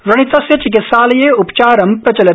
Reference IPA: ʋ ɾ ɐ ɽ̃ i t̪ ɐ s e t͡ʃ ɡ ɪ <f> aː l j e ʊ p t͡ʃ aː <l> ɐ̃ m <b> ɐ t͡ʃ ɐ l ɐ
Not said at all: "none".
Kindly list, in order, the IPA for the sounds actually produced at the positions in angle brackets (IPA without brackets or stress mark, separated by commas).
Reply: s, ɾ, p